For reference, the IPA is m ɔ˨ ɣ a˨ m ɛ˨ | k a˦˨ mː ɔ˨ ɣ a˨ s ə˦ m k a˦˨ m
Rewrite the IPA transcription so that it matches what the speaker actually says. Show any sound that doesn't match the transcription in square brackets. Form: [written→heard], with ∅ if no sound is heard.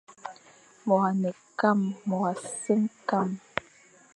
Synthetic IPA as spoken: m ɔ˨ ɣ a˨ [m→n] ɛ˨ | k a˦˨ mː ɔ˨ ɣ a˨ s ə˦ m k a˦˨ m